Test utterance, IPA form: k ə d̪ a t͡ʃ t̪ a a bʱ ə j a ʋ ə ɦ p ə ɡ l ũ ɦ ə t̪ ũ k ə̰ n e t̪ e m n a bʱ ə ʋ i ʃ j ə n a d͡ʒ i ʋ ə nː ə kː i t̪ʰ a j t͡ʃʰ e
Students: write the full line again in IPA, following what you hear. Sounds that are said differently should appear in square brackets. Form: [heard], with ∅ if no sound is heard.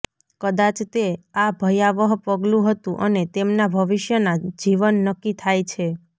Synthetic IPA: k ə d̪ a t͡ʃ t̪ [e] a bʱ ə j a ʋ ə ɦ p ə ɡ l ũ ɦ ə t̪ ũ [ʔ] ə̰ n e t̪ e m n a bʱ ə ʋ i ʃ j ə n a d͡ʒ i ʋ ə nː ə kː i t̪ʰ a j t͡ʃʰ e